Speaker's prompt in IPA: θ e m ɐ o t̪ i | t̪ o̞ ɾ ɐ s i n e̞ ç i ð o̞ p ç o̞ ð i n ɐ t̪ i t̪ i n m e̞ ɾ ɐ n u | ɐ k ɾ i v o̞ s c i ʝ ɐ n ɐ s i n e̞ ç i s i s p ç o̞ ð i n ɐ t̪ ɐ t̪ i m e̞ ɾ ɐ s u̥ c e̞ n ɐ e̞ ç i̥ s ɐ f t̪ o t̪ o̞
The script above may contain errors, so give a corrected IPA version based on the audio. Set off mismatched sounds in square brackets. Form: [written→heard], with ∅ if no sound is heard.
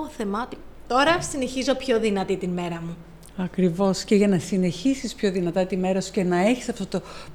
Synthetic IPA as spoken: θ e m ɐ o t̪ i | t̪ o̞ ɾ ɐ s i n e̞ ç i [ð→z] o̞ p ç o̞ ð i n ɐ t̪ i t̪ i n m e̞ ɾ ɐ [n→m] u | ɐ k ɾ i v o̞ s c [i→e] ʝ ɐ n ɐ s i n e̞ ç i s i s p ç o̞ ð i n ɐ t̪ ɐ t̪ i m e̞ ɾ ɐ s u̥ c e̞ n ɐ e̞ ç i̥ s ɐ f t̪ o t̪ o̞